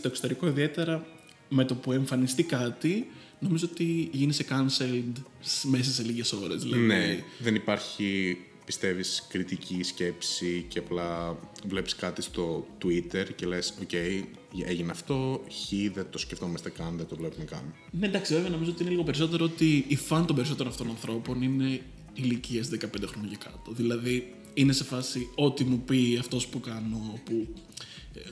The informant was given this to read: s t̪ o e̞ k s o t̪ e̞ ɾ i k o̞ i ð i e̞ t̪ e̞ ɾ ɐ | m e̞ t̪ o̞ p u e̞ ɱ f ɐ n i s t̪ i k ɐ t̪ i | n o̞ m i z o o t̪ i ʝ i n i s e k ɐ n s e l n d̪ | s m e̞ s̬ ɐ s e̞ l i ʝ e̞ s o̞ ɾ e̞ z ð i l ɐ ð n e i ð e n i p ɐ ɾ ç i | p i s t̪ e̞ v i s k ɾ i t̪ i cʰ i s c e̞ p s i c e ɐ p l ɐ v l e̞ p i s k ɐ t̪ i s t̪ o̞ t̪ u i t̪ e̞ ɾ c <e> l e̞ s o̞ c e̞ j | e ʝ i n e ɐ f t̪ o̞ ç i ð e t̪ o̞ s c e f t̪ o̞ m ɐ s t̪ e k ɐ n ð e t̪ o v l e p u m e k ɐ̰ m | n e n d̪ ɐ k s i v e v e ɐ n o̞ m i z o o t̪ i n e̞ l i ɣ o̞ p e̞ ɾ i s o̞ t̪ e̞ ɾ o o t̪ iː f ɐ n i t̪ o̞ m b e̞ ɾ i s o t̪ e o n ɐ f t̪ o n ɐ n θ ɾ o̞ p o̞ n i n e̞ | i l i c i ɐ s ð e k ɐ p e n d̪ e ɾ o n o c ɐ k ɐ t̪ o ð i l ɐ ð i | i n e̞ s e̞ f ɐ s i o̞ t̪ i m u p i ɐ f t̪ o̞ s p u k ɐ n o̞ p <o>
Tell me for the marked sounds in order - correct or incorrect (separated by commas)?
correct, incorrect